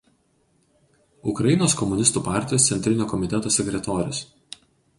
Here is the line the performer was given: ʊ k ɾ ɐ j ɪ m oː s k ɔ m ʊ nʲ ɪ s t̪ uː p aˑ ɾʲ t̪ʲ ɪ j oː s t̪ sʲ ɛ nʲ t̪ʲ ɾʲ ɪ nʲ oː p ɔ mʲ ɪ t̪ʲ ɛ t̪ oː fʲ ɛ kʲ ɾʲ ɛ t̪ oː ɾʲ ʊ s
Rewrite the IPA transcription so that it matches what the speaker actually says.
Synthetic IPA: ʊ k ɾ ɐ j ɪ n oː s k ɔ m ʊ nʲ ɪ s t̪ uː p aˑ ɾʲ t̪ʲ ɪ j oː s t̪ sʲ ɛ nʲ t̪ʲ ɾʲ ɪ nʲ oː k ɔ mʲ ɪ t̪ʲ ɛ t̪ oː sʲ ɛ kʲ ɾʲ ɛ t̪ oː ɾʲ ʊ s